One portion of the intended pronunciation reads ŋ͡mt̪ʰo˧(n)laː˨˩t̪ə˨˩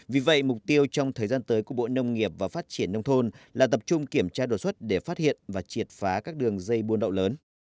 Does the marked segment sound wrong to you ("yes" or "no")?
no